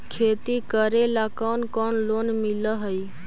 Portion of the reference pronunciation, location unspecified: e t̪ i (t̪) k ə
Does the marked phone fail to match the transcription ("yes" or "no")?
yes